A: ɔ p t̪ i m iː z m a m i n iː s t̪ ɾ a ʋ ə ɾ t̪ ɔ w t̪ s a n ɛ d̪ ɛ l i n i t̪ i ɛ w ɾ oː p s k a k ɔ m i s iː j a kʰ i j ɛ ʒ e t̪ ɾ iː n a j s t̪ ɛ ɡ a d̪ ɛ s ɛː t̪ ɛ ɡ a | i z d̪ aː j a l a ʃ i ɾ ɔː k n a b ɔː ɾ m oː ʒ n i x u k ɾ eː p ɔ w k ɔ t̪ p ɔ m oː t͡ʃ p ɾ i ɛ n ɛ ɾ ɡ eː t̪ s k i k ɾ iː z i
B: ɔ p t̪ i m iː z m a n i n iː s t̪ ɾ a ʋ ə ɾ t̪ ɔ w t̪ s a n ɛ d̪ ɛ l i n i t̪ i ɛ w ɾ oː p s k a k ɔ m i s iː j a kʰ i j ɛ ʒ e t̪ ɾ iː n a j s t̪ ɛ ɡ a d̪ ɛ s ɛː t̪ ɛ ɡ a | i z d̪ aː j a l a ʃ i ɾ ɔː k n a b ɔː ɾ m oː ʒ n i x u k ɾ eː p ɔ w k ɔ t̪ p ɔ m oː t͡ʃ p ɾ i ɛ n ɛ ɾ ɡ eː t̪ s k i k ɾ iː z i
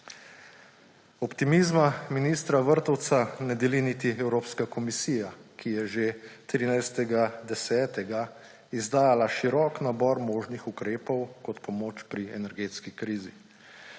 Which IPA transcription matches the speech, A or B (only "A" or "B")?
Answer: A